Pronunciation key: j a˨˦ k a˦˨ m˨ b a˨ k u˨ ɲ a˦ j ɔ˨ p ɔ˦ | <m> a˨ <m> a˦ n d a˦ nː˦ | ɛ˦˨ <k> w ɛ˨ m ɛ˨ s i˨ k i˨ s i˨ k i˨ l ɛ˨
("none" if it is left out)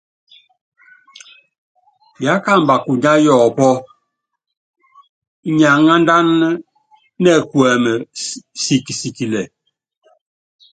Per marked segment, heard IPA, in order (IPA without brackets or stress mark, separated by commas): ɲ, ŋ, k